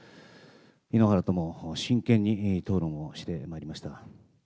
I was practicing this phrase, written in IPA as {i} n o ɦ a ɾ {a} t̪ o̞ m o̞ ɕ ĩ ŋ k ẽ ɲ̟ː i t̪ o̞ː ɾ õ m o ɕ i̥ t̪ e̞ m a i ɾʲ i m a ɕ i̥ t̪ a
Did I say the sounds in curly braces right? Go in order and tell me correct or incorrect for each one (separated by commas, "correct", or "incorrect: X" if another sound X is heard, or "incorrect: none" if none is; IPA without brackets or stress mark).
correct, correct